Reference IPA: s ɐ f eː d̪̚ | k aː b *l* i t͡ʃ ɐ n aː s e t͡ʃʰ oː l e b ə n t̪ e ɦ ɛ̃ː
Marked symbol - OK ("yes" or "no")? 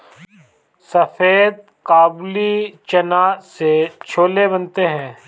yes